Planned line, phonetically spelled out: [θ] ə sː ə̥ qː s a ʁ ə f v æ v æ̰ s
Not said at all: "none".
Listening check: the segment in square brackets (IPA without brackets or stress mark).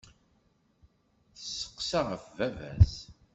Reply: θ